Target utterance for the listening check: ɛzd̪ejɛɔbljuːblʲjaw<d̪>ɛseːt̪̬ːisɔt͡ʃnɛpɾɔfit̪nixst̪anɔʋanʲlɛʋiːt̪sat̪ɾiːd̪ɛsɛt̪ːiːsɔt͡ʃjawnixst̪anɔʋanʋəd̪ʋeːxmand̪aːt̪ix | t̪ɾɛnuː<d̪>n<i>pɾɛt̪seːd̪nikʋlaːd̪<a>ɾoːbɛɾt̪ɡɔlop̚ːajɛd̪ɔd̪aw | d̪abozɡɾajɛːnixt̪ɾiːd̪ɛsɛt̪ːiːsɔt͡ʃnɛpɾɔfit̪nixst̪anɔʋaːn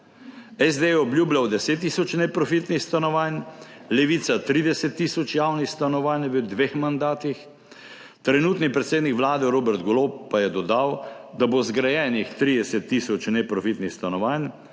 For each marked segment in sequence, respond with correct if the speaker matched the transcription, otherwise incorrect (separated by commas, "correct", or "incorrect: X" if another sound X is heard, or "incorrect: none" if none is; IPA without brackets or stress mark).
correct, incorrect: t̪, correct, incorrect: ɛ